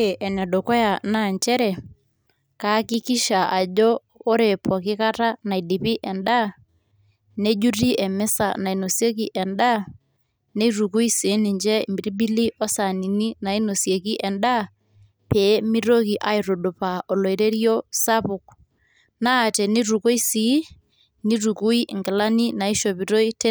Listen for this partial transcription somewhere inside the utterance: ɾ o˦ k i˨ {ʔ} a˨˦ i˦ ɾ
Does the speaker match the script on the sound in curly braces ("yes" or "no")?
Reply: yes